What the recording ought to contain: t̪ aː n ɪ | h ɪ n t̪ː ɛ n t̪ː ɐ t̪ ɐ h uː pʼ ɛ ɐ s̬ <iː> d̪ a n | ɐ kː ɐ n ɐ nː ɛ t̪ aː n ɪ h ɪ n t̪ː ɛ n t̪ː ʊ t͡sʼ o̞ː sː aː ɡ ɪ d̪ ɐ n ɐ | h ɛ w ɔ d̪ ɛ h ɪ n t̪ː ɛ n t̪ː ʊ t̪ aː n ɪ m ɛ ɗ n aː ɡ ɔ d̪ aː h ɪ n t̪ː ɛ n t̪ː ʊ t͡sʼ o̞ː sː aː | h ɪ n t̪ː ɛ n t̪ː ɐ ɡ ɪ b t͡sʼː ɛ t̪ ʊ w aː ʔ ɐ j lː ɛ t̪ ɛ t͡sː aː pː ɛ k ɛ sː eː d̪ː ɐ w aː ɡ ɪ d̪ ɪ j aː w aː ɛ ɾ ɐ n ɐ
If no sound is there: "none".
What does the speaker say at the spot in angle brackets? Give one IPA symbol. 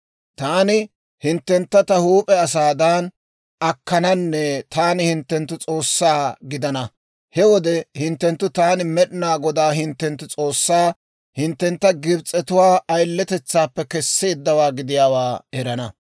aː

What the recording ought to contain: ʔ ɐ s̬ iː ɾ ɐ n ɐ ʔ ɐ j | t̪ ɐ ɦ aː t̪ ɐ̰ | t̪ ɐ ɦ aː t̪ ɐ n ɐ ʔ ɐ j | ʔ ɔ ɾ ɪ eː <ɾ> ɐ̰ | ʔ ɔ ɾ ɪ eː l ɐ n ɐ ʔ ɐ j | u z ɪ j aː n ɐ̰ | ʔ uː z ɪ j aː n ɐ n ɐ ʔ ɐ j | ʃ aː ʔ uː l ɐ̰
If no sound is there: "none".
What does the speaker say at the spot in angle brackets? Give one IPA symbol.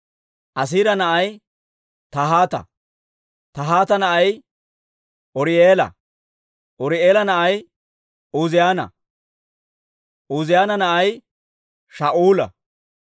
l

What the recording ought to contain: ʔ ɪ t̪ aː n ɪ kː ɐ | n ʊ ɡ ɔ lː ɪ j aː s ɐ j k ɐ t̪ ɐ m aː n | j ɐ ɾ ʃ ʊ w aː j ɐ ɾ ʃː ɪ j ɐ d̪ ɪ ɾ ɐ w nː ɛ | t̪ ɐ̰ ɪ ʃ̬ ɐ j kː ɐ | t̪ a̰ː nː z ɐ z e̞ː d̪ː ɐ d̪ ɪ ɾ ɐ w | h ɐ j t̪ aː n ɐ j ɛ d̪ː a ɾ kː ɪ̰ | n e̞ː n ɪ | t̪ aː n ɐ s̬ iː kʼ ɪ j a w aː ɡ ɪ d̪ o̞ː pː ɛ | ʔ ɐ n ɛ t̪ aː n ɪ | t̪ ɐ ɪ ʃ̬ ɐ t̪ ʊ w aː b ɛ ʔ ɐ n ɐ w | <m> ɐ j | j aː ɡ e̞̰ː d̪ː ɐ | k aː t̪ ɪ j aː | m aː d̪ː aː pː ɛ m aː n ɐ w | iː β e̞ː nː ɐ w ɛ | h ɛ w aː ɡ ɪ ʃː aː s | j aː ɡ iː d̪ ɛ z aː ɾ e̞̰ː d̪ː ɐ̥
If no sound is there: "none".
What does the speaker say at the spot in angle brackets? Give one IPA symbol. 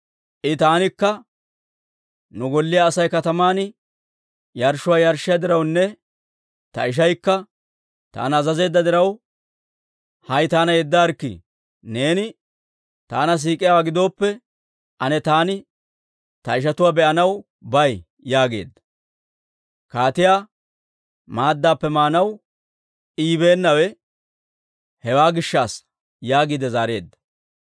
b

